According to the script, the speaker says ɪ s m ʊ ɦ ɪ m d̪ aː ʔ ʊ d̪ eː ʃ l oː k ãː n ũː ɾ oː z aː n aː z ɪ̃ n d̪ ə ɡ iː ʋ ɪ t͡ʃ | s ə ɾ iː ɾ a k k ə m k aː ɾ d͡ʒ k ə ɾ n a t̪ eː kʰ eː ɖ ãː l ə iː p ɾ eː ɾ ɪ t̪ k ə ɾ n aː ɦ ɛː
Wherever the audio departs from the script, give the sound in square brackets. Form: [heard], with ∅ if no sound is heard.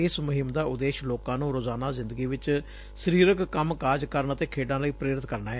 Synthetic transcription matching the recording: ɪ s m ʊ ɦ ɪ m d̪ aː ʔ ʊ d̪ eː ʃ l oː k ãː n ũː ɾ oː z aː n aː z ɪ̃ n d̪ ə ɡ iː ʋ ɪ t͡ʃ | s ə ɾ iː ɾ [ə] k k ə m k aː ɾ d͡ʒ k ə ɾ n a t̪ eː kʰ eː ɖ ãː l ə iː p ɾ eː ɾ ɪ t̪ k ə ɾ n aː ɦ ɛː